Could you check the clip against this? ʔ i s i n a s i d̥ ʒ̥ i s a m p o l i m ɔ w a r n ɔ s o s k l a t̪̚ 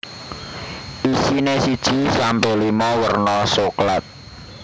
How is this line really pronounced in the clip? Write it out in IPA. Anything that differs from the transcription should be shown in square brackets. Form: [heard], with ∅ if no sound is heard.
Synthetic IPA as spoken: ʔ i s i n [e] s i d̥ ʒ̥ i s a m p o l i m ɔ w [ə] r n ɔ s o [∅] k l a t̪̚